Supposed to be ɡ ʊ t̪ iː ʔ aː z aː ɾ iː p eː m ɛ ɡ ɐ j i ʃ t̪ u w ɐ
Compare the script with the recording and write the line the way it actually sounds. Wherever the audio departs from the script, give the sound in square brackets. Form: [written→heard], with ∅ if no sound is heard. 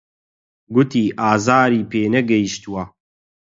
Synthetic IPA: ɡ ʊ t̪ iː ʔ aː z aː ɾ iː p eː [m→n] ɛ ɡ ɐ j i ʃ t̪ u w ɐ